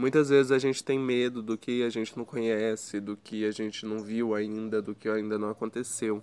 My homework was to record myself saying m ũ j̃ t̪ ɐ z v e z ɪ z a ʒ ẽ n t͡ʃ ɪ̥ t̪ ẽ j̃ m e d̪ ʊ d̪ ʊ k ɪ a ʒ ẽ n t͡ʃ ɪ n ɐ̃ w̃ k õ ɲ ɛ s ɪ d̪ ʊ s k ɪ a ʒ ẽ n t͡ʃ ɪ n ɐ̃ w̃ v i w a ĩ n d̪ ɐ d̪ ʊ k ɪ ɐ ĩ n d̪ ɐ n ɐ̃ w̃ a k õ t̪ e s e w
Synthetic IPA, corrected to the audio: m ũ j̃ t̪ ɐ z v e z ɪ z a ʒ ẽ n t͡ʃ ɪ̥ t̪ ẽ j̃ m e d̪ ʊ d̪ ʊ k ɪ a ʒ ẽ n t͡ʃ ɪ n ɐ̃ w̃ k õ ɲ ɛ s ɪ d̪ ʊ k ɪ a ʒ ẽ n t͡ʃ ɪ n ɐ̃ w̃ v i w a ĩ n d̪ ɐ d̪ ʊ k ɪ a ĩ n d̪ ɐ n ɐ̃ w̃ a k õ t̪ e s e w